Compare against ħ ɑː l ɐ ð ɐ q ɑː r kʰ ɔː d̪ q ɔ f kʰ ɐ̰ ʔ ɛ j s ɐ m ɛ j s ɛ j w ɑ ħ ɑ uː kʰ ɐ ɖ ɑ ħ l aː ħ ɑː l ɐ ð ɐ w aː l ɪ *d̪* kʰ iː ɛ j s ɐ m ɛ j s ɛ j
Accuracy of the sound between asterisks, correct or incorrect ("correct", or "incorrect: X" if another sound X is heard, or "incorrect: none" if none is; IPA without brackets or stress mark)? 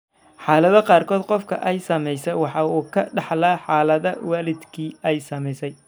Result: correct